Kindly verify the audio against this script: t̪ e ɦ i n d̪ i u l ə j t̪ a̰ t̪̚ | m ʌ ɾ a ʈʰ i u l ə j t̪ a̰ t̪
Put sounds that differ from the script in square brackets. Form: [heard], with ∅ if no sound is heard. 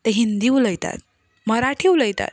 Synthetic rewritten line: t̪ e ɦ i n d̪ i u l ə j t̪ a̰ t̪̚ | m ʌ ɾ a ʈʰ i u l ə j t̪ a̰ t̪

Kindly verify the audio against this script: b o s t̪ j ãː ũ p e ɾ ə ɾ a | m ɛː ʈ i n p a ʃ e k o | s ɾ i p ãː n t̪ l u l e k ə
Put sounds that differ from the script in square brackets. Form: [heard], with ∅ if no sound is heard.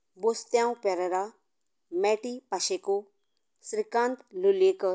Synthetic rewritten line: b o s t̪ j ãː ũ p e ɾ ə ɾ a | m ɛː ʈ i [∅] p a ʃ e k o | s ɾ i [k] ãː n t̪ l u l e k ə

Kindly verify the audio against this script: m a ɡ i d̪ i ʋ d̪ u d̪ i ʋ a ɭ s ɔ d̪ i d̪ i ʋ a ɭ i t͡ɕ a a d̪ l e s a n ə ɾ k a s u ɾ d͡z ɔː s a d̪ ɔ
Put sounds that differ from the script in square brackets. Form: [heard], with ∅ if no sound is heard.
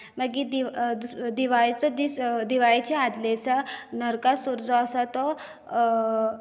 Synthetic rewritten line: m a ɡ i d̪ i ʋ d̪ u d̪ i ʋ a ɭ [t͡s] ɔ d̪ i d̪ i ʋ a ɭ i t͡ɕ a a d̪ l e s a n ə ɾ k a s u ɾ d͡z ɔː s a [t̪] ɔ

